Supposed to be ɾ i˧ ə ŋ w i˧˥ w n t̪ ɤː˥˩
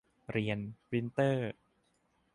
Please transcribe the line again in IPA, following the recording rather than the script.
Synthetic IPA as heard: ɾ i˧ ə n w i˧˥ n t̪ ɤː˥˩